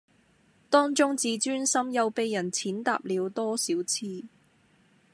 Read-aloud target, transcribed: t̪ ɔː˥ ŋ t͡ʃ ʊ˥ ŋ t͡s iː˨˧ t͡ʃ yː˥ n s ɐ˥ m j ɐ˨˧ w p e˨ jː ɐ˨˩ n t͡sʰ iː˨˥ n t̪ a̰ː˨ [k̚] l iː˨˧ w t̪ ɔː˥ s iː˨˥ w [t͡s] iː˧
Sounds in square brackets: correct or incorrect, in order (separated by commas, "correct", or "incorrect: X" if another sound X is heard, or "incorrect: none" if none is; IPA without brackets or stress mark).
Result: incorrect: p̚, incorrect: t͡sʰ